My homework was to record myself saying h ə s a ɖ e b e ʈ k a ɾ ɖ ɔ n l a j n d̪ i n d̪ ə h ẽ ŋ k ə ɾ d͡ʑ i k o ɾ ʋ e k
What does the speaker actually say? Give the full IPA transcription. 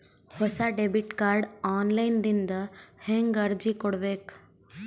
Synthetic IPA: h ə s a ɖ e b i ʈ k a ɾ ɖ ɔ n l a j n d̪ i n d̪ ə h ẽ ŋ ɡ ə ɾ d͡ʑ i k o ɽ ʋ e k